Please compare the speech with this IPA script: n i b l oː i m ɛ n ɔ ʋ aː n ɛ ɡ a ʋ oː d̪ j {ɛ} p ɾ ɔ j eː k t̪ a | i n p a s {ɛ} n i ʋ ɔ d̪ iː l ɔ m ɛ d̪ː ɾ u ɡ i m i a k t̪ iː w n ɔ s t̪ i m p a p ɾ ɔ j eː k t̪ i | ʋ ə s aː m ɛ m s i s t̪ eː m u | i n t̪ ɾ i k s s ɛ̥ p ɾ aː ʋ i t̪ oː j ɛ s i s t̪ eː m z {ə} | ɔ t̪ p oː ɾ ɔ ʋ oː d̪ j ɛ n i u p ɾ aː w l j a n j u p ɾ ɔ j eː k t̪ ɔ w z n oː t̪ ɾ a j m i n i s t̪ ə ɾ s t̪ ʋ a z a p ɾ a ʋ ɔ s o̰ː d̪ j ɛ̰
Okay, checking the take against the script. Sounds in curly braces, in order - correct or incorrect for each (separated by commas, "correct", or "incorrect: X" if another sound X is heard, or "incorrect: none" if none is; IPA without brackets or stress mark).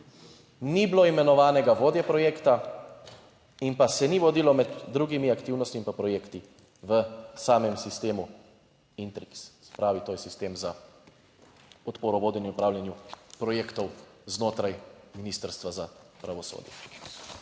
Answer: correct, correct, incorrect: a